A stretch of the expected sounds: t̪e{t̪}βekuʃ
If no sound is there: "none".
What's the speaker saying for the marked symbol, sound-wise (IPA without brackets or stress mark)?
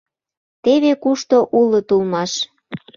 none